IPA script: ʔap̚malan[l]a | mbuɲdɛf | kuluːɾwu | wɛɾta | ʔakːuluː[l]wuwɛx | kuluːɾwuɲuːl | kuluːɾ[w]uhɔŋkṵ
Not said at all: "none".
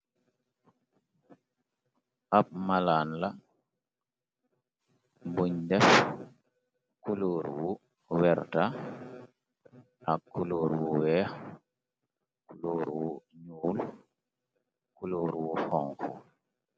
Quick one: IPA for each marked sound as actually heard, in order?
l, ɾ, w

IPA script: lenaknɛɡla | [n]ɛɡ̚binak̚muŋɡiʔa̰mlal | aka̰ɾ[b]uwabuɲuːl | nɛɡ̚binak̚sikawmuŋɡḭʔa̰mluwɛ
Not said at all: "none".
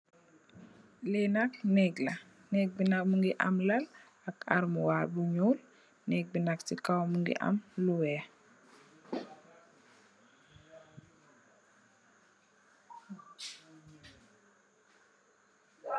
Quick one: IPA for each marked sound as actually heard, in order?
n, m

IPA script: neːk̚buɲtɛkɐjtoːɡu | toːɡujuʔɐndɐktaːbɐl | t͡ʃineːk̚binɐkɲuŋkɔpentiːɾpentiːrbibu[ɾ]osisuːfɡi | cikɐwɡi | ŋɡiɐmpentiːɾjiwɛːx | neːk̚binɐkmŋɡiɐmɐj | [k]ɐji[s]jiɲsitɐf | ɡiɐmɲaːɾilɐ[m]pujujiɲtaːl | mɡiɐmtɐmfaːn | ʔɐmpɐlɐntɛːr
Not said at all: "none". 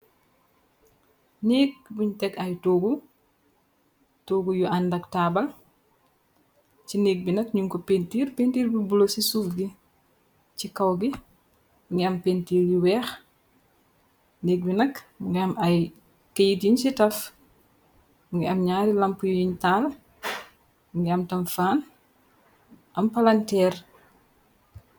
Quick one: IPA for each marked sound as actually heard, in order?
l, k, t, m

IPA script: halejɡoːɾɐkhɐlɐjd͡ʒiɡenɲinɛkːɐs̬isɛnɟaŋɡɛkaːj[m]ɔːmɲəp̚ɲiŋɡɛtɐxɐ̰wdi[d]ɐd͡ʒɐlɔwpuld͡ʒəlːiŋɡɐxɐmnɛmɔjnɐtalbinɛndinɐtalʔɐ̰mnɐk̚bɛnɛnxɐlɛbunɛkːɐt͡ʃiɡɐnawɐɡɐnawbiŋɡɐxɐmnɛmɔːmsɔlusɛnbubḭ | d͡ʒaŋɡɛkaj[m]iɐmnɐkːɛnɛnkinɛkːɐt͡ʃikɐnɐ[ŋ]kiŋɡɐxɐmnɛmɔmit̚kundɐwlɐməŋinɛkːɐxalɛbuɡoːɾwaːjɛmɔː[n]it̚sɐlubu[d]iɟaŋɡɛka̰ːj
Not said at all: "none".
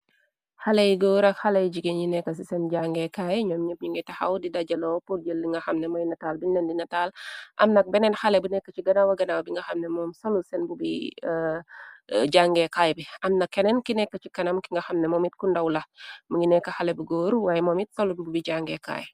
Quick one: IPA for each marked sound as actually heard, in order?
ɲ, d, b, m, m, b

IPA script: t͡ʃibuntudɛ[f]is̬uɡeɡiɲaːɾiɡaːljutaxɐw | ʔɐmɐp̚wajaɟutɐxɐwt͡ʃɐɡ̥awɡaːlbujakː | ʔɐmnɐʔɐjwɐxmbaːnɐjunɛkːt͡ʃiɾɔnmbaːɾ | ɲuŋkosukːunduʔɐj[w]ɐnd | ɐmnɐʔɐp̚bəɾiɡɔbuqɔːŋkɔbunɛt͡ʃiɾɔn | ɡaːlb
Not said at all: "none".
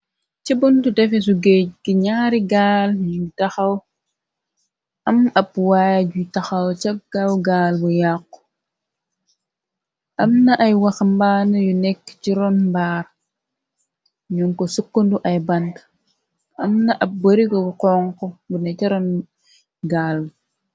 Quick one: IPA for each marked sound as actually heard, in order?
f, b

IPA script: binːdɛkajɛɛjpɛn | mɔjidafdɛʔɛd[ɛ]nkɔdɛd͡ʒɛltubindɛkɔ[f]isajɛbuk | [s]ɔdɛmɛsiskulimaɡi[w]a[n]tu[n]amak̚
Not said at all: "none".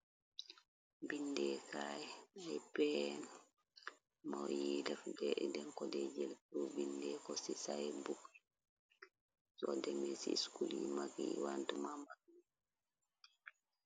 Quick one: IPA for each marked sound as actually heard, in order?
ɛ, s, s, w, n, m

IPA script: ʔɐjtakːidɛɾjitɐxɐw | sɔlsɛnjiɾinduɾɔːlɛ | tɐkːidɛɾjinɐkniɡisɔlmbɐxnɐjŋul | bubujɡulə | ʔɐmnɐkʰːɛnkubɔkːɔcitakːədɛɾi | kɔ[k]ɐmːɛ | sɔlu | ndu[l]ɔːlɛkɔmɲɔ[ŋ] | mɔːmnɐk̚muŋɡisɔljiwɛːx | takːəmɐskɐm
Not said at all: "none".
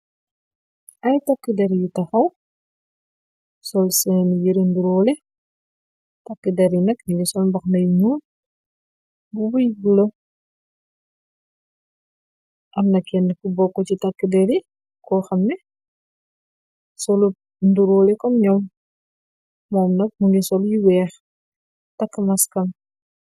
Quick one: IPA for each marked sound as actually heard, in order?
x, ɾ, m

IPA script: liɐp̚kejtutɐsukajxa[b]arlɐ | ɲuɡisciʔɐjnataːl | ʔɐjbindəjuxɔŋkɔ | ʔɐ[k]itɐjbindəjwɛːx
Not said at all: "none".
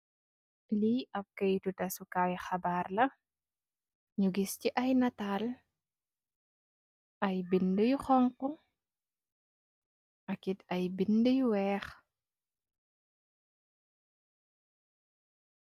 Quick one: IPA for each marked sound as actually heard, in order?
b, k

